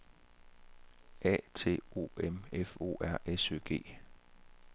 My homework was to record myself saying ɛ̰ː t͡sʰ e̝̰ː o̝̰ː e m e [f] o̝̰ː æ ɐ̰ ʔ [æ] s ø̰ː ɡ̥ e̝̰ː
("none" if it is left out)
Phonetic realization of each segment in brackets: f, e

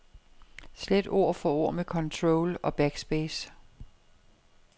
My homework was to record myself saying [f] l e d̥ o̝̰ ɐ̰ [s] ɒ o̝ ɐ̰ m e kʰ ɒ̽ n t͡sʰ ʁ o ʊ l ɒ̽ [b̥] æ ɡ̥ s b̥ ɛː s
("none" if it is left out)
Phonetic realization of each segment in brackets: s, f, b̥

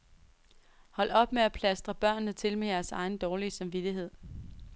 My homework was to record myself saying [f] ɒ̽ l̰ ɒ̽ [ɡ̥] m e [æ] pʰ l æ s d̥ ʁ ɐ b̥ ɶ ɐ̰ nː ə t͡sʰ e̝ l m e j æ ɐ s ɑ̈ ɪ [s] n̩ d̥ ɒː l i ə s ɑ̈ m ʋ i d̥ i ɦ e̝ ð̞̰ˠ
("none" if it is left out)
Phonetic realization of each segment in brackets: h, b̥, æ, none

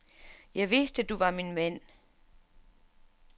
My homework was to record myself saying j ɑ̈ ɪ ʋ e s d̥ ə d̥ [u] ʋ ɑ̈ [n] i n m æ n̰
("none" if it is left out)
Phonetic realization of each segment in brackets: u, m

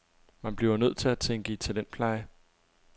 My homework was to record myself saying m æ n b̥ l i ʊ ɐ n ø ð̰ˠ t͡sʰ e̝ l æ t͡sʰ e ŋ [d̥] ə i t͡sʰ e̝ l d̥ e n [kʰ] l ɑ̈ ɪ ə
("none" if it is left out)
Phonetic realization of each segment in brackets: ɡ̥, pʰ

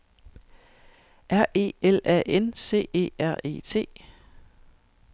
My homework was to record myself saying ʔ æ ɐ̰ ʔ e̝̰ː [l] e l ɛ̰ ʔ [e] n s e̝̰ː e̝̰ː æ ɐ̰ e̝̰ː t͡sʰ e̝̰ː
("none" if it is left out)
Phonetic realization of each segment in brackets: none, e

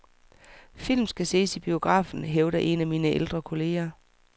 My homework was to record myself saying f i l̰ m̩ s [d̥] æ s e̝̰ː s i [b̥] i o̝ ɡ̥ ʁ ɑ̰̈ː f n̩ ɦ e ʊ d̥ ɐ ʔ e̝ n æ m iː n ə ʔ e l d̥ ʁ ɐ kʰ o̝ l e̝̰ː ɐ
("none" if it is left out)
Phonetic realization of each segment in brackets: ɡ̥, b̥

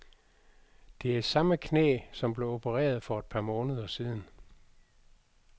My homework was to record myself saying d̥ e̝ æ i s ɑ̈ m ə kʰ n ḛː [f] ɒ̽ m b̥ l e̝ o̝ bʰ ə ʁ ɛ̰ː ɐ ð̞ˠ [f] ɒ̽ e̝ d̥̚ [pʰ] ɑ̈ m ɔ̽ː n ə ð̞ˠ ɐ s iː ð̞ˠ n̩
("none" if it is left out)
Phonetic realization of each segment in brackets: s, f, pʰ

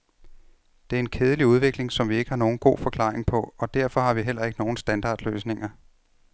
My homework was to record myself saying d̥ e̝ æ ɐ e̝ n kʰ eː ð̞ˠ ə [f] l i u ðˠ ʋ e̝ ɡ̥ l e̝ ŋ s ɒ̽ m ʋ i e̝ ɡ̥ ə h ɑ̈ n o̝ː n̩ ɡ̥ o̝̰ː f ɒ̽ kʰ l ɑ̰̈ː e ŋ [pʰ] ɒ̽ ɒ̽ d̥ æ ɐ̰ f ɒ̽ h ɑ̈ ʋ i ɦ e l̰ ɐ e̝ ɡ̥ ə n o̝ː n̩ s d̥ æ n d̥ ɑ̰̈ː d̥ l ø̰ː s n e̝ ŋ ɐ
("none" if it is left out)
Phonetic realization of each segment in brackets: none, pʰ

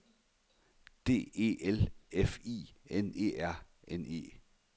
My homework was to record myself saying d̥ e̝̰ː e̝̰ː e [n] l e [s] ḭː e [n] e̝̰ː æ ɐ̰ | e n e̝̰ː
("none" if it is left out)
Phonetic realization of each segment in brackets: none, f, n

